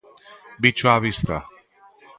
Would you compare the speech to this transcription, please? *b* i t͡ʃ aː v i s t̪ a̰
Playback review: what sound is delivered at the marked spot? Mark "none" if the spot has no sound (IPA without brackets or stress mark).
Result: b